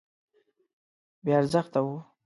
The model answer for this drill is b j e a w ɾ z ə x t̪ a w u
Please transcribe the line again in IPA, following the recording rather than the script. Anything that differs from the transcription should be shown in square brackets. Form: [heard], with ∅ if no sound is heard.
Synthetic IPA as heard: b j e a [∅] ɾ z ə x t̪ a w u